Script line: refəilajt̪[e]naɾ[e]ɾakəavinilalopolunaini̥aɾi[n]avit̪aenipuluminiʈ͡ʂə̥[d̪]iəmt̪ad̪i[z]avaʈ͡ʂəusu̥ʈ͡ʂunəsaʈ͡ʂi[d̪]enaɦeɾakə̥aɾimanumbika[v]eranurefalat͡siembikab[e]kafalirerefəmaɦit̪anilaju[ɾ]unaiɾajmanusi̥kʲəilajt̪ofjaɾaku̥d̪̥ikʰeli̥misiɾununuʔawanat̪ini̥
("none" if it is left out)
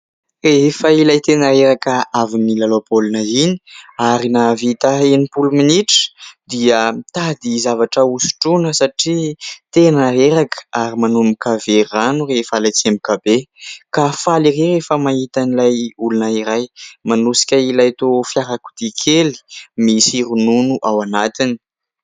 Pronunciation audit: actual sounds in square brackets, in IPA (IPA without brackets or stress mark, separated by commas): e, e, n, d̪, z, t̪, v, e, l